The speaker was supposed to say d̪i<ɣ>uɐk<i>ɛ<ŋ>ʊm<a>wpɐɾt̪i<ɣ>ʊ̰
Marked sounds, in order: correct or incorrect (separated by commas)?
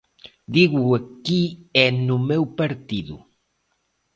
correct, correct, incorrect, incorrect, incorrect